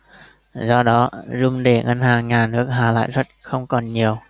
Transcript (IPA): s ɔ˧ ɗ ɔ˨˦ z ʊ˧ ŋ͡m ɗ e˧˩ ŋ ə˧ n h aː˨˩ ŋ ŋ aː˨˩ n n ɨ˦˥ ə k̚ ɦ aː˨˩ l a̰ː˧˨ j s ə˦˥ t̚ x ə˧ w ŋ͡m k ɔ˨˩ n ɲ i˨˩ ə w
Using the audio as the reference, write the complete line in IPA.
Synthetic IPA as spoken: z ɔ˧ ɗ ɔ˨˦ z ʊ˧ ŋ͡m ɗ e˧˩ ŋ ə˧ n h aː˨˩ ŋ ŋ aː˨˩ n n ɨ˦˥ ə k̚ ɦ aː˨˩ l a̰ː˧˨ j z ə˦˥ t̚ x ə˧ w ŋ͡m k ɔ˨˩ n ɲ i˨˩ ə w